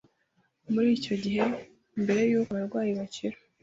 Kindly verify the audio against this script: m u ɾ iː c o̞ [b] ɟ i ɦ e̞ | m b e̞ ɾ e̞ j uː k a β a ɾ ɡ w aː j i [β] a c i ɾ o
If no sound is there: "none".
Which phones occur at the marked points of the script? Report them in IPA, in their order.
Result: none, β

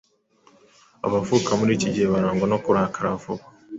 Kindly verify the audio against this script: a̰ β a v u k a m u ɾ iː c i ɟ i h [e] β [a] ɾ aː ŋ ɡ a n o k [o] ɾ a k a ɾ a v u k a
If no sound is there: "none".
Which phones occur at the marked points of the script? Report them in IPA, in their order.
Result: e, a, u

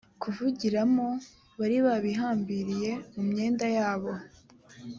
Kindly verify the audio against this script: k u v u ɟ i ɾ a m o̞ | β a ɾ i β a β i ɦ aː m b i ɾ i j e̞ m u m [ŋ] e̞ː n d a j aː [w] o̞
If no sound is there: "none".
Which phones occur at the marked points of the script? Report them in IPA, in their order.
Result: ɲ, β

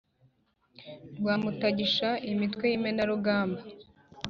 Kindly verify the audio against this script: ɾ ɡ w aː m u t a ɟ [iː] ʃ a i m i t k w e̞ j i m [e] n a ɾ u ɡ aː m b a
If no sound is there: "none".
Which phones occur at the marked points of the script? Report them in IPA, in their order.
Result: i, e

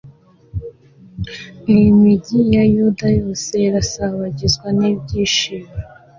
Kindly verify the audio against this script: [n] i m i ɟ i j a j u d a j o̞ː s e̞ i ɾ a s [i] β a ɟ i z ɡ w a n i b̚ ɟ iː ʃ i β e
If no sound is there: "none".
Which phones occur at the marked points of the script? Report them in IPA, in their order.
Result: n, a

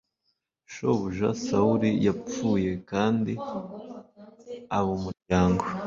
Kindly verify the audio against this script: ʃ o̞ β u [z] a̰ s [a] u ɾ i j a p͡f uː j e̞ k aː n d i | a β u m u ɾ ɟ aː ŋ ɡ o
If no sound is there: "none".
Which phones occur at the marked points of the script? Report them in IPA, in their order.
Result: ʒ, a

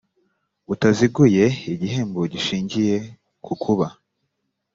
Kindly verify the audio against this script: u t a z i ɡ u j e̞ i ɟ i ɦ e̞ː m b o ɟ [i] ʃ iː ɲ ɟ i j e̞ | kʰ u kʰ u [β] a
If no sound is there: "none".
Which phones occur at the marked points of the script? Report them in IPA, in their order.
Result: i, β

